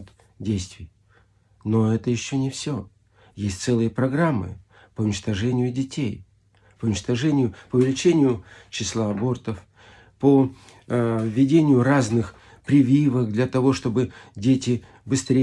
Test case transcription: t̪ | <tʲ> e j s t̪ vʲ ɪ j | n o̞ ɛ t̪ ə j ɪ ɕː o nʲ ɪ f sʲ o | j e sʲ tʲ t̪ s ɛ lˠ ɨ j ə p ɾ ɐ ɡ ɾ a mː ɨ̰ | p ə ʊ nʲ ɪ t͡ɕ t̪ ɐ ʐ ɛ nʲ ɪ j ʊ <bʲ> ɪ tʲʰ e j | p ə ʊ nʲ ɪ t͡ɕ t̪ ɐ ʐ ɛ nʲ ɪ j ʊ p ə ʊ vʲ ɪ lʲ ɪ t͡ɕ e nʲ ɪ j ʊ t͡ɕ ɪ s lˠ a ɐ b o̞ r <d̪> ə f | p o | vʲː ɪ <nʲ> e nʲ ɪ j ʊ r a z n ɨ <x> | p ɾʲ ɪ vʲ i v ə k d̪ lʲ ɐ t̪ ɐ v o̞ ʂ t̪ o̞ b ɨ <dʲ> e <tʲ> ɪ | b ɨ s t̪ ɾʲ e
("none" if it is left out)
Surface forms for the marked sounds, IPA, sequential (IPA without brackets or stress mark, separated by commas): dʲ, dʲ, t̪, dʲ, x, dʲ, tʲ